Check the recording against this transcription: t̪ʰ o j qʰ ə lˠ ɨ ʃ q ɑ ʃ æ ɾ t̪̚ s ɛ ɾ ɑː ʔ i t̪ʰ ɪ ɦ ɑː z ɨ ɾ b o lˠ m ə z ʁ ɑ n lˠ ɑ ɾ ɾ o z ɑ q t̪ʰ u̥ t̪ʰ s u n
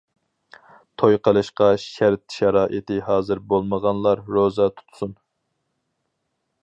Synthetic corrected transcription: t̪ʰ o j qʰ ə lˠ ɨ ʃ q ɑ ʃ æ ɾ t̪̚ ʃ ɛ ɾ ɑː ʔ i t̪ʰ ɪ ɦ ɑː z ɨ ɾ b o lˠ m ə ʁ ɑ n lˠ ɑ ɾ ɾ o z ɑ t̪ʰ u̥ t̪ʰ s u n

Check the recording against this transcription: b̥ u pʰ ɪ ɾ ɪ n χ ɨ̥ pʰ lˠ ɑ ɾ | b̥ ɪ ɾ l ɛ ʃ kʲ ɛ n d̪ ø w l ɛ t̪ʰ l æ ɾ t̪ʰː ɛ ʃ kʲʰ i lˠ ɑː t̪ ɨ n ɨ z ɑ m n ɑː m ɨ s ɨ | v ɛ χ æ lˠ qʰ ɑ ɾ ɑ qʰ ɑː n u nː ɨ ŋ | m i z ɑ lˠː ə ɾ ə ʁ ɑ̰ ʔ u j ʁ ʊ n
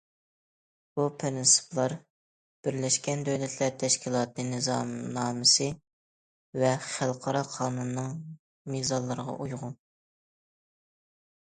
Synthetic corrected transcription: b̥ u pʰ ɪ ɾ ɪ n s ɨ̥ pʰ lˠ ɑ ɾ | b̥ ɪ ɾ l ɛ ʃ kʲ ɛ n d̪ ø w l ɛ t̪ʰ l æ ɾ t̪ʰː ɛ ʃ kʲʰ i lˠ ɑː t̪ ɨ n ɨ z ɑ m n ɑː m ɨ s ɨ | v ɛ χ æ lˠ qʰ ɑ ɾ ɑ qʰ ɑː n u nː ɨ ŋ | m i z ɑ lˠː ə ɾ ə ʁ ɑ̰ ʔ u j ʁ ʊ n

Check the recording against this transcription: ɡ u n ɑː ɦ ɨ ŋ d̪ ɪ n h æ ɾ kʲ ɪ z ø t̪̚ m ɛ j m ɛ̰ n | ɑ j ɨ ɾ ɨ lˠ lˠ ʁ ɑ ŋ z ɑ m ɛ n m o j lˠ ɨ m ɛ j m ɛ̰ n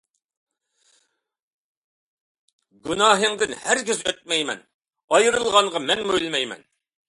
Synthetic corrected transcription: ɡ u n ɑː ɦ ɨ ŋ d̪ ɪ n h æ ɾ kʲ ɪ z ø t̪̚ m ɛ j m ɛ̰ n | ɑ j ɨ ɾ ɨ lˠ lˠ ʁ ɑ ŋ ʁ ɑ m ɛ n m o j lˠ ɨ m ɛ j m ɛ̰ n

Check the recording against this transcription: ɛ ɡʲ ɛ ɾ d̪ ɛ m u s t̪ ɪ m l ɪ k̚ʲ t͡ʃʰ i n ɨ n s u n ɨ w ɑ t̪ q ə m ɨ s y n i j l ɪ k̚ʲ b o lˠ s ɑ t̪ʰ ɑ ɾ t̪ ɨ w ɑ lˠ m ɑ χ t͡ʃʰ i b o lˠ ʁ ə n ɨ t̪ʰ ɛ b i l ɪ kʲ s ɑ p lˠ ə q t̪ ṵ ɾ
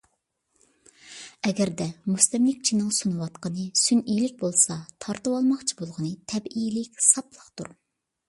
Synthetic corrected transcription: ɛ ɡʲ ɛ ɾ d̪ ɛ m u s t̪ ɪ m l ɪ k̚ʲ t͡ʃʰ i n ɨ ŋ s u n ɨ w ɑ t̪ q ə n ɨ s y n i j l ɪ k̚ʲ b o lˠ s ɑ t̪ʰ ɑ ɾ t̪ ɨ w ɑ lˠ m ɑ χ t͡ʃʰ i b o lˠ ʁ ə n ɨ t̪ʰ ɛ b i l ɪ kʲ s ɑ p lˠ ə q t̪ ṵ ɾ

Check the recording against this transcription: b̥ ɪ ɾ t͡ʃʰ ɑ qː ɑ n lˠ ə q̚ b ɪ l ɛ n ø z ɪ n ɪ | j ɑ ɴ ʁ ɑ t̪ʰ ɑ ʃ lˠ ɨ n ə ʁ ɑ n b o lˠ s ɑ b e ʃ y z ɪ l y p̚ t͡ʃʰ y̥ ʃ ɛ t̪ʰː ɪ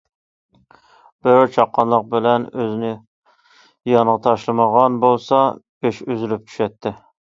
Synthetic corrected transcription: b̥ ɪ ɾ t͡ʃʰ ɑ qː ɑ n lˠ ə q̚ b ɪ l ɛ n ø z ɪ n ɪ | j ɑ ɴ ʁ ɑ t̪ʰ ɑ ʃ lˠ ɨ m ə ʁ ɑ n b o lˠ s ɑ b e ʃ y z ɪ l y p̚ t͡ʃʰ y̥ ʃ ɛ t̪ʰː ɪ

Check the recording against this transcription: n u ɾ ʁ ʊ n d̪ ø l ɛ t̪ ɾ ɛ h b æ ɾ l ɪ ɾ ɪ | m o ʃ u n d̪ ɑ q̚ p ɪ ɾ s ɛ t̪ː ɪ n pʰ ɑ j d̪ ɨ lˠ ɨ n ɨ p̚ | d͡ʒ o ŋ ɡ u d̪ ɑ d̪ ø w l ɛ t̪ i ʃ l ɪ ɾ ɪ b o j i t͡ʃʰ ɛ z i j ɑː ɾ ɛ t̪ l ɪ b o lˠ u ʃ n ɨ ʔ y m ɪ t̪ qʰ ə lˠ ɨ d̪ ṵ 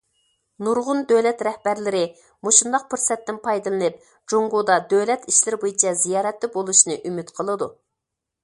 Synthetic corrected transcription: n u ɾ ʁ ʊ n d̪ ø l ɛ t̪ ɾ ɛ h b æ ɾ l ɪ ɾ ɪ | m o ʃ u n d̪ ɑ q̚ p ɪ ɾ s ɛ t̪ː ɪ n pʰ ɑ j d̪ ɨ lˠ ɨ n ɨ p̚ | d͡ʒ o ŋ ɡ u d̪ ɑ d̪ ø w l ɛ t̪ i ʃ l ɪ ɾ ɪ b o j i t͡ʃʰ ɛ z i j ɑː ɾ ɛ t̪ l ɪ b o lˠ u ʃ n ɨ ʔ y m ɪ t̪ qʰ ə lˠ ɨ d̪ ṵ

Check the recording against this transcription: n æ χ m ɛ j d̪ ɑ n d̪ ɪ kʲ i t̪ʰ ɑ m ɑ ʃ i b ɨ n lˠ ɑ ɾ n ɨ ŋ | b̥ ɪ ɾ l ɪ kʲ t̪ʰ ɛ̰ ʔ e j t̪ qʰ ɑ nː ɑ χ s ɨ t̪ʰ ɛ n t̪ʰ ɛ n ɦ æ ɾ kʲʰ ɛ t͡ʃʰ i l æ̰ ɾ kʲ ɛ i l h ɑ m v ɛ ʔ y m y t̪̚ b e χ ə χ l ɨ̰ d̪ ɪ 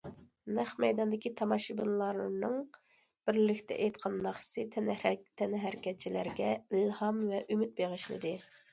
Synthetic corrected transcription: n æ χ m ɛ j d̪ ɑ n d̪ ɪ kʲ i t̪ʰ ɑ m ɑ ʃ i b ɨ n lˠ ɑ ɾ n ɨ ŋ | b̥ ɪ ɾ l ɪ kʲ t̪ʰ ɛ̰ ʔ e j t̪ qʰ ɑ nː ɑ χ s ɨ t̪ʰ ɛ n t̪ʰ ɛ n ɦ æ ɾ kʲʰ ɛ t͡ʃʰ i l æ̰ ɾ ɡʲ ɛ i l h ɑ m v ɛ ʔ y m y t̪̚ b e ʁ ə ʃ l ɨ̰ d̪ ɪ

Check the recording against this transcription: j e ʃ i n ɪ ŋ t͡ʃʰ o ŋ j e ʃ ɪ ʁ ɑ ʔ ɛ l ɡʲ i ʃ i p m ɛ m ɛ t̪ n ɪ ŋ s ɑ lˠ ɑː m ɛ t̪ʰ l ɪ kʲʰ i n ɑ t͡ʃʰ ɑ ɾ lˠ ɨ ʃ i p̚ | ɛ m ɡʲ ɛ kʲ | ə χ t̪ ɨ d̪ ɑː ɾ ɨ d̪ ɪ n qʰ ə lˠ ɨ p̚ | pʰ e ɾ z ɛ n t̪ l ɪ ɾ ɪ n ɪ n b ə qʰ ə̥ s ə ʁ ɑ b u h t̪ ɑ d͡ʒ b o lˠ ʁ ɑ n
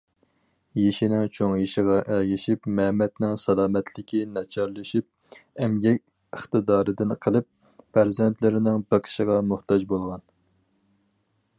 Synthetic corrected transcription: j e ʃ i n ɪ ŋ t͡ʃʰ o ŋ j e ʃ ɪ ʁ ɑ ʔ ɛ l ɡʲ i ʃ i p m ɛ m ɛ t̪ n ɪ ŋ s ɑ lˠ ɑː m ɛ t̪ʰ l ɪ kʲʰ i n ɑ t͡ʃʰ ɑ ɾ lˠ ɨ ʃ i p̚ | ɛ m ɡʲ ɛ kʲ | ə χ t̪ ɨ d̪ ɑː ɾ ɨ d̪ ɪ n qʰ ə lˠ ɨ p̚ | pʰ æ ɾ z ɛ n t̪ l ɪ ɾ ɪ n ɪ ŋ b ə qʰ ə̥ ʃ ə ʁ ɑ m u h t̪ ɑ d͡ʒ b o lˠ ʁ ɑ n

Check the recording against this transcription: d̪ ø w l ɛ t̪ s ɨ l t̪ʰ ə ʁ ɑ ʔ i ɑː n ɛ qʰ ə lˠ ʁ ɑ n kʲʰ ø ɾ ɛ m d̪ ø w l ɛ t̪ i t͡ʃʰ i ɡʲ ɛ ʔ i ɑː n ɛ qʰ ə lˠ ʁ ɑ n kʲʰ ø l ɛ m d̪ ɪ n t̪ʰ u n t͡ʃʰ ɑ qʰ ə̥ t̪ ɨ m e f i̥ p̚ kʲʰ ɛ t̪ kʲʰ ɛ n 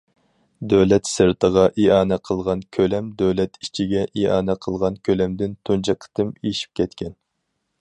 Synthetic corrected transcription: d̪ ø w l ɛ t̪ s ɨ ɾ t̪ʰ ə ʁ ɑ ʔ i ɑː n ɛ qʰ ə lˠ ʁ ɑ n kʲʰ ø l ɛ m d̪ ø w l ɛ t̪ i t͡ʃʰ i ɡʲ ɛ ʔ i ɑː n ɛ qʰ ə lˠ ʁ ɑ n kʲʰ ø l ɛ m d̪ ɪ n t̪ʰ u n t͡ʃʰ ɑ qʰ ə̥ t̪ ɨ m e ʃ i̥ p̚ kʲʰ ɛ t̪ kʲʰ ɛ n

